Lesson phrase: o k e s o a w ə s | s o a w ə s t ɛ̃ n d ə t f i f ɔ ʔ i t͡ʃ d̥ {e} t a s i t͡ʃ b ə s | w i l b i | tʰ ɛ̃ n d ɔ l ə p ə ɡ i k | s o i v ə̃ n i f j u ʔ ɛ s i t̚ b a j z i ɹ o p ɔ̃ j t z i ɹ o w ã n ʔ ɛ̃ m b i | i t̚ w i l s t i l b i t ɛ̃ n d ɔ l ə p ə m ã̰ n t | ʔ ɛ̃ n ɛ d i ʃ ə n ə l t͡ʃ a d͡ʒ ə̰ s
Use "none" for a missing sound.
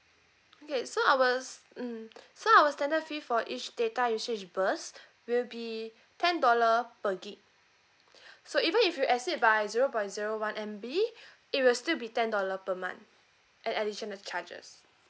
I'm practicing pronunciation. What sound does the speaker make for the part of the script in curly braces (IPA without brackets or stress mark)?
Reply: e